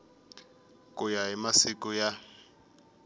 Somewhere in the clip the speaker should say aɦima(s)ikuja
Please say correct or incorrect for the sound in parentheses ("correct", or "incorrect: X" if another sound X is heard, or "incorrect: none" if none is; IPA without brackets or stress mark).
correct